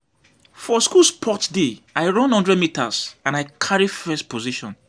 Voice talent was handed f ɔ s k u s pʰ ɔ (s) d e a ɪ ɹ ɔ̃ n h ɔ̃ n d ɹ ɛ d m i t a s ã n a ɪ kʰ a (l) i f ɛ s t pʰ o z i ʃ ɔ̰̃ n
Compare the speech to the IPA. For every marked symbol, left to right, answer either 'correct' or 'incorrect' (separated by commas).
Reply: incorrect, incorrect